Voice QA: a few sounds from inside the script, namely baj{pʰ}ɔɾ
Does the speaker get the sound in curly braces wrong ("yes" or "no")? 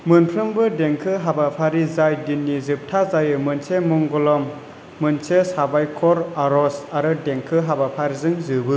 yes